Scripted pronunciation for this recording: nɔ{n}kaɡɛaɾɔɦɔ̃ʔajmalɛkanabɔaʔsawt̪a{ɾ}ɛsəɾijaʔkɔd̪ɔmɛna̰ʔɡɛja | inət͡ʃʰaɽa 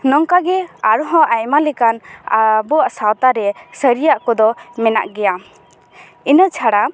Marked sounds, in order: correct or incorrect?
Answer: incorrect, correct

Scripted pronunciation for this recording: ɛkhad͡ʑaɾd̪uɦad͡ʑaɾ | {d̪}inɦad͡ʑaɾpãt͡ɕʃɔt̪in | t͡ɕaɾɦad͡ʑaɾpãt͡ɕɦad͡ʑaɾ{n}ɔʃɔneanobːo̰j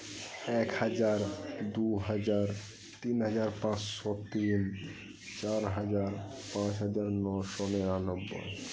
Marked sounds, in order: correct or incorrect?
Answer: incorrect, correct

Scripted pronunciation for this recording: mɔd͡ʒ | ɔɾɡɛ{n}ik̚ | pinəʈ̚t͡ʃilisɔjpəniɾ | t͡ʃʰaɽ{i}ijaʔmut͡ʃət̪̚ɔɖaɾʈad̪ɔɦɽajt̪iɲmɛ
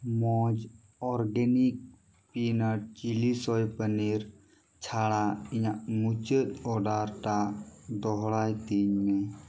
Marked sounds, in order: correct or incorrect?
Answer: correct, incorrect

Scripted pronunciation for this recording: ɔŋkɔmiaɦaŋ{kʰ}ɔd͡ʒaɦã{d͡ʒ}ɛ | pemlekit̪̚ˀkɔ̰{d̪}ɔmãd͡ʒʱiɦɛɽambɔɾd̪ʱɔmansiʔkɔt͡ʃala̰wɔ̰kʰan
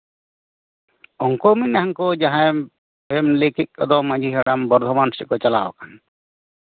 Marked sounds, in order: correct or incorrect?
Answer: incorrect, incorrect, correct

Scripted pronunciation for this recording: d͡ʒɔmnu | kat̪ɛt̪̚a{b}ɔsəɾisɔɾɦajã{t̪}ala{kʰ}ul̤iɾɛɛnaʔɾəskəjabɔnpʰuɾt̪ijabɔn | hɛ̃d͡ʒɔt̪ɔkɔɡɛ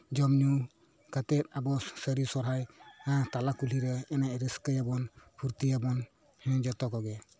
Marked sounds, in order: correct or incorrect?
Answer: correct, correct, incorrect

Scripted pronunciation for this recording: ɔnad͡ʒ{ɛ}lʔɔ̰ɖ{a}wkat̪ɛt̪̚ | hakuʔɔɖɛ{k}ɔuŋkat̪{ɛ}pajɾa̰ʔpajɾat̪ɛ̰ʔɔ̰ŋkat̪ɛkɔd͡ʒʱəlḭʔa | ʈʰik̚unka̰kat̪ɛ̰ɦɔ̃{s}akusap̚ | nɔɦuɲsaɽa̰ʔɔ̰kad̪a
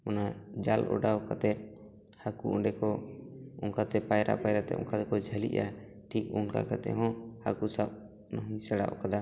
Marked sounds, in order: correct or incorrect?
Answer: incorrect, correct, correct, correct, incorrect

